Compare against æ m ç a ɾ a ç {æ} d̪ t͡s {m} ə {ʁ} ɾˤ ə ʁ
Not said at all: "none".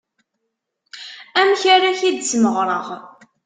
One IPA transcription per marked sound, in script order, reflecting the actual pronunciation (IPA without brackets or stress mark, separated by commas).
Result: i, m, ʁ